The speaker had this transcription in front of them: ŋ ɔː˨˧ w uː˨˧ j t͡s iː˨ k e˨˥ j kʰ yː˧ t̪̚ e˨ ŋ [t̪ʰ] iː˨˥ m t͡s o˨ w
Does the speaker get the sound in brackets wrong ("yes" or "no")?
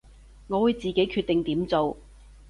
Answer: yes